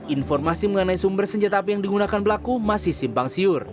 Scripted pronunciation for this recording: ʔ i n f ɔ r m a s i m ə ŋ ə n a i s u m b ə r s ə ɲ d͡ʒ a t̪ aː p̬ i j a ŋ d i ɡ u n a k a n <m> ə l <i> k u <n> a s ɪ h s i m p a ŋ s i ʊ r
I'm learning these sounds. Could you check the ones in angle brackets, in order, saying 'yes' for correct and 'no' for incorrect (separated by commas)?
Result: no, no, no